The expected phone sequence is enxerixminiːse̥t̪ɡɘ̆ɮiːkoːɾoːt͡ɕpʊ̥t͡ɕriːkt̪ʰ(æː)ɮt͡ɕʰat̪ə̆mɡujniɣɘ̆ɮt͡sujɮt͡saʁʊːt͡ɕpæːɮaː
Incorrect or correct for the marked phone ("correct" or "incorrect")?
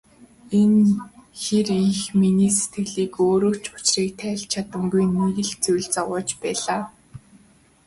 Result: correct